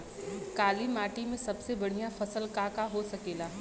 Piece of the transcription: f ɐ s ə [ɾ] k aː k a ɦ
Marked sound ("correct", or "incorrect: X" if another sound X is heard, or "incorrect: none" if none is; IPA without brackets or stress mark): incorrect: l